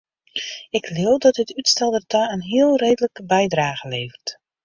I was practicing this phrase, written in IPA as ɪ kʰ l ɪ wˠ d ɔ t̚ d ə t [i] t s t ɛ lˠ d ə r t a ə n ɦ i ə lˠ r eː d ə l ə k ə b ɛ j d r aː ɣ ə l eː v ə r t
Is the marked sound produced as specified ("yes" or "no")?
no